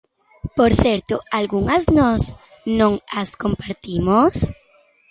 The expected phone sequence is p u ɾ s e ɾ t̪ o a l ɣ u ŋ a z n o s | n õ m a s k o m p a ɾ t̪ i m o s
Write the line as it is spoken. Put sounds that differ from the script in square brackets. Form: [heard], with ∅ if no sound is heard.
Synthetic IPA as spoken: p [o] ɾ [θ] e ɾ t̪ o a l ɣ u ŋ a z n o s | n õ [ŋ] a s k o m p a ɾ t̪ i m o s